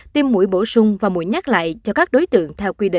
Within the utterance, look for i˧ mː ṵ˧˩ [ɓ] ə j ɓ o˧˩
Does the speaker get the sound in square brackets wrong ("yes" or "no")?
yes